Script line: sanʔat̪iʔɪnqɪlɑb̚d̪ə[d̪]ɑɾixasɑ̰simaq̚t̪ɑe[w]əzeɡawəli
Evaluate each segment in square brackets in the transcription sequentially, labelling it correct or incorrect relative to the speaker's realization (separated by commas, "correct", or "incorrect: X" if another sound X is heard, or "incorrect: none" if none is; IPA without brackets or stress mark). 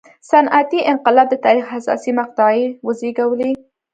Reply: incorrect: t̪, correct